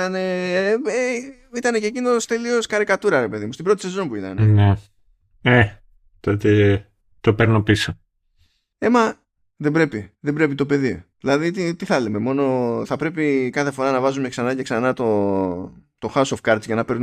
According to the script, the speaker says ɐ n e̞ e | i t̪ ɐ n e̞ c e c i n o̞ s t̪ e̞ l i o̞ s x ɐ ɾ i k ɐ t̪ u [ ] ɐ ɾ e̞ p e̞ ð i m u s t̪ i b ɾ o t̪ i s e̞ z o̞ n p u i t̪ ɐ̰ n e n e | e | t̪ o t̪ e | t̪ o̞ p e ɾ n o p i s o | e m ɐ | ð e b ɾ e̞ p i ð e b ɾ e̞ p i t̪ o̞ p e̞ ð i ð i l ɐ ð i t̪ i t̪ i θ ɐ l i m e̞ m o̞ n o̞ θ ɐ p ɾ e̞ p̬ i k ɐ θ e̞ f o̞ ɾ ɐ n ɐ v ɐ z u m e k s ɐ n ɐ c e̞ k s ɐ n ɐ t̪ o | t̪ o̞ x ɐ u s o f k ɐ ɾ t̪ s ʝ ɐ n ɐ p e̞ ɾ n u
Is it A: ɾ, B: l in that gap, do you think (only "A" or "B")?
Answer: A